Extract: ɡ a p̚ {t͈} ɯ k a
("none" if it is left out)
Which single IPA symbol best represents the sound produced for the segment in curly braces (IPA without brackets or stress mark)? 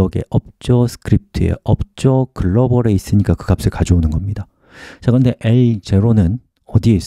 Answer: s͈